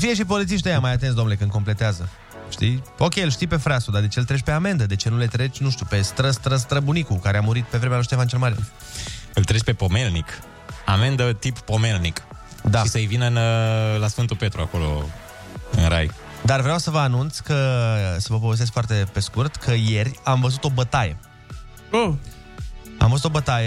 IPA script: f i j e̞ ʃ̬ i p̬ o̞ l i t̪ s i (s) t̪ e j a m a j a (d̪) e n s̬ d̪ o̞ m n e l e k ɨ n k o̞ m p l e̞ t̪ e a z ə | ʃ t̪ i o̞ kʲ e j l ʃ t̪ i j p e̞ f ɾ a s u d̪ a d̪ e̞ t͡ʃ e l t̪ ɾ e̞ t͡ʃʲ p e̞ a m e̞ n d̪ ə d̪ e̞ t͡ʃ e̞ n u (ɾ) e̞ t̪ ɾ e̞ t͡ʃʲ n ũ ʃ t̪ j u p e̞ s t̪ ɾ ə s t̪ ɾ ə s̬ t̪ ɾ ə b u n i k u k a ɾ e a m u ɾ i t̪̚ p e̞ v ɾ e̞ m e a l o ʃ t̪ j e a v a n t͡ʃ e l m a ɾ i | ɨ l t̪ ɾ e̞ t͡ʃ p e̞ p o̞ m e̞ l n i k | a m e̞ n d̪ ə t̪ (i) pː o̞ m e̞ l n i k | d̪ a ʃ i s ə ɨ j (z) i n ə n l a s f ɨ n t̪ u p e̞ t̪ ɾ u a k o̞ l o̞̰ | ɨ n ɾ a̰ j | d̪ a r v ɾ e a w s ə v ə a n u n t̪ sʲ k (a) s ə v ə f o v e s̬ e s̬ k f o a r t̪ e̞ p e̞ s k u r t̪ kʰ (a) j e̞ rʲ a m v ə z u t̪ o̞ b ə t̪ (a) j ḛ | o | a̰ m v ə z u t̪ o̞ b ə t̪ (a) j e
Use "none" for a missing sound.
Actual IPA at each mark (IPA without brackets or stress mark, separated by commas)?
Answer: ʃ, t̪, l, i, v, ə, ə, a, a